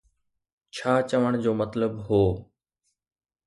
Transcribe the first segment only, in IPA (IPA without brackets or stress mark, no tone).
t͡ɕʰ